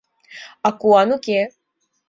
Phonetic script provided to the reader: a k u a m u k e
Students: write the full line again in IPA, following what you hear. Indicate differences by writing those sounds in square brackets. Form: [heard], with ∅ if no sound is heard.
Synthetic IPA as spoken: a k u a [n] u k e

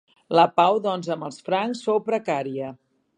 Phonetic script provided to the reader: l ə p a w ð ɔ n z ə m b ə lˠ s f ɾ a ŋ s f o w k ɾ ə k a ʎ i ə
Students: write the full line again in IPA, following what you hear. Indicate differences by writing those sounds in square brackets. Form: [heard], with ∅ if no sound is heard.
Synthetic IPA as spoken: l ə p a w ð ɔ n z ə m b ə lˠ s f ɾ a ŋ s f o w [p] ɾ ə k a [ɾ] i ə

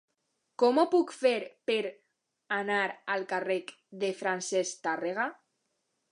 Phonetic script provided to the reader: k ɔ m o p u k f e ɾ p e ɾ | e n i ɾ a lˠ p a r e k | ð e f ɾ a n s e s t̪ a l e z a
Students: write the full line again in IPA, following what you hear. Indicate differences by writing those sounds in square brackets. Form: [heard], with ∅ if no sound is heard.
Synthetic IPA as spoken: k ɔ m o p u k f e ɾ p e ɾ | [a] n [a] ɾ a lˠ [k] a r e k | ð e f ɾ a n s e s t̪ a [r] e [ɣ] a

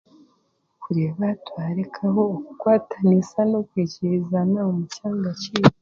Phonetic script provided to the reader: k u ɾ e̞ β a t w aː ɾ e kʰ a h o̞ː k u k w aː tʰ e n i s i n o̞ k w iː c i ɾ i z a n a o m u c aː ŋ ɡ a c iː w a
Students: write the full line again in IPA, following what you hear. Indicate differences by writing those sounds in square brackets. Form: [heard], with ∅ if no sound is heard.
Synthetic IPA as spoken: k u ɾ e̞ β a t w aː ɾ e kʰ a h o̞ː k u k w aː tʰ [a] n i s [a] n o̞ k w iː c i ɾ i z a n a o m u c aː ŋ ɡ a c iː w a

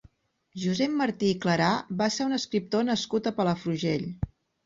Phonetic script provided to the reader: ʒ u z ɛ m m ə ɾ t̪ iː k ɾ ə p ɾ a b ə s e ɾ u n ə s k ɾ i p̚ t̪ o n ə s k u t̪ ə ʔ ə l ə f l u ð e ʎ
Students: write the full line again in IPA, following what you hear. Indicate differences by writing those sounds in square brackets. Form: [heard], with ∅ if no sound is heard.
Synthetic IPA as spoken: ʒ u z ɛ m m ə ɾ t̪ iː k [l] ə [∅] ɾ a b [a] s e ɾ u n ə s k ɾ i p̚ t̪ o n ə s k u t̪ ə [p] ə l ə f [ɾ] u [ʒ] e ʎ

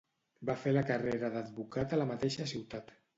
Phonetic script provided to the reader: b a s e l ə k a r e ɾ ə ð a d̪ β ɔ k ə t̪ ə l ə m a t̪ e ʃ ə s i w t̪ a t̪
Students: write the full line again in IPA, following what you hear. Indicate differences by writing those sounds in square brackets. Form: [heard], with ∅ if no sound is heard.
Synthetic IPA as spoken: b a [f] e l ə k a r e ɾ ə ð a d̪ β [u] k [a] t̪ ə l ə m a t̪ e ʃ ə s i w t̪ a t̪

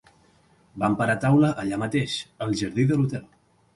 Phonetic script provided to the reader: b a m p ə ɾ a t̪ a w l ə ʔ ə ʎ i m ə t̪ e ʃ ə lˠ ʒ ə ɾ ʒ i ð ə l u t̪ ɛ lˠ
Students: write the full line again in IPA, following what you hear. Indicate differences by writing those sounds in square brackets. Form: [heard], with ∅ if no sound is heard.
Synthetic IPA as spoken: b a m p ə ɾ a t̪ a w l ə ʔ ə ʎ [a] m ə t̪ e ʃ ə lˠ ʒ ə ɾ [ð] i ð ə l u t̪ ɛ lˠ

